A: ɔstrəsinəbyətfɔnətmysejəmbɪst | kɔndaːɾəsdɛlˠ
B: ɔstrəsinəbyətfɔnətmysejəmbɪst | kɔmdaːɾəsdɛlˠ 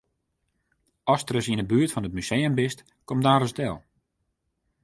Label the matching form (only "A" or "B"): B